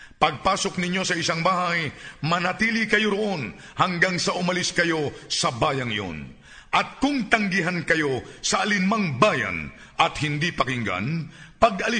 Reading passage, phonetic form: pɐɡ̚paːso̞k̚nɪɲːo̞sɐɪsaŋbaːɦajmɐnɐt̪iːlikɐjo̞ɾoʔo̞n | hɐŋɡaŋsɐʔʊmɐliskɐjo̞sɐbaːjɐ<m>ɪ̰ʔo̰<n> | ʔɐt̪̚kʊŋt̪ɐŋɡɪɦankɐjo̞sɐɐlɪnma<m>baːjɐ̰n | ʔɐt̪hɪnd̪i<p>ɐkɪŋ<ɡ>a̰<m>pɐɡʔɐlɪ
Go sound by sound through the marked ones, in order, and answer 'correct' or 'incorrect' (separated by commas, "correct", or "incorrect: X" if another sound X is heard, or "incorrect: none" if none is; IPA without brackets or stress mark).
incorrect: ŋ, correct, incorrect: ŋ, correct, correct, incorrect: n